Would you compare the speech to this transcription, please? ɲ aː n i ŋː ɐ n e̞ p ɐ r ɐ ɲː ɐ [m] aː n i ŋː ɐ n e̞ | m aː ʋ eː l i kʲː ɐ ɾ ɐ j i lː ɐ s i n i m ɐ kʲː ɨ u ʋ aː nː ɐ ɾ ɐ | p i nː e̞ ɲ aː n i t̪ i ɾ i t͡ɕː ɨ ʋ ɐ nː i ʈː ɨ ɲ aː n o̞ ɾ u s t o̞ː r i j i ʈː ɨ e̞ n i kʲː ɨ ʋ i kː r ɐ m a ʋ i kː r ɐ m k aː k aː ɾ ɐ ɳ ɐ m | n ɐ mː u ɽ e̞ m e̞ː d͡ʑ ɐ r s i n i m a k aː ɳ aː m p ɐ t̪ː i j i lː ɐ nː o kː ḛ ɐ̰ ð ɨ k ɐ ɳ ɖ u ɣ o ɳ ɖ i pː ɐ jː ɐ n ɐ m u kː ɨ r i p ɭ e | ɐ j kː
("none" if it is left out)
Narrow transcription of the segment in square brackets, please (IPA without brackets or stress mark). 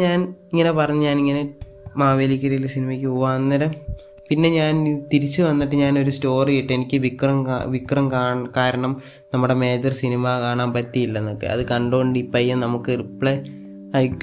ɲ